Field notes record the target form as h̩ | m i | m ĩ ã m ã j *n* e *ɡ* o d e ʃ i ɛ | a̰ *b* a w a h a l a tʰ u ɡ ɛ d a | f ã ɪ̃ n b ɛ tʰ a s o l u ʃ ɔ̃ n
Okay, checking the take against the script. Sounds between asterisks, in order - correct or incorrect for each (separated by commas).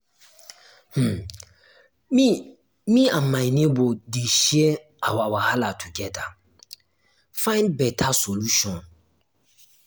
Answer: correct, incorrect, incorrect